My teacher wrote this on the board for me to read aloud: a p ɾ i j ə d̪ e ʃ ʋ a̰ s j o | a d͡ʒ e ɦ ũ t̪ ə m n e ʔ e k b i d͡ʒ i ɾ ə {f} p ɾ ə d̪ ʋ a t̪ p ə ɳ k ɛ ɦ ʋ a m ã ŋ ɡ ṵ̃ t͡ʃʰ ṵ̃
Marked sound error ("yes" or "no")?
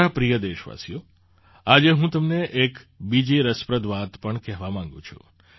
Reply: yes